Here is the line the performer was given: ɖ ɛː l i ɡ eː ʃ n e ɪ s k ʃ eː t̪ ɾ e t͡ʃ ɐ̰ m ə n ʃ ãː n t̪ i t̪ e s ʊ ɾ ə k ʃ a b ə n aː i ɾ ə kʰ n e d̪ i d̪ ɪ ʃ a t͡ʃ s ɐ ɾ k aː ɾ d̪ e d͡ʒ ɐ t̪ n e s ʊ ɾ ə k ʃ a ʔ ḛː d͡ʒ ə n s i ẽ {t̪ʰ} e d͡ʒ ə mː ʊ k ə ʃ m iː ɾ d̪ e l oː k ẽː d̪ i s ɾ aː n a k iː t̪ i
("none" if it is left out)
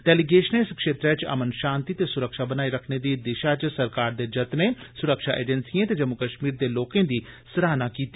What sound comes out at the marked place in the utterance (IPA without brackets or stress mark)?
t̪